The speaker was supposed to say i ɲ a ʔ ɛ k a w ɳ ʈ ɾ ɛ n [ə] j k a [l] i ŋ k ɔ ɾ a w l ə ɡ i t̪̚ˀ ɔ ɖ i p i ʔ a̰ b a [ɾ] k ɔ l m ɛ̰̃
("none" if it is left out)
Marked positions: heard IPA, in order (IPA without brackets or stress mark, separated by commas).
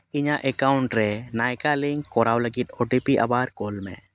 a, l, ɾ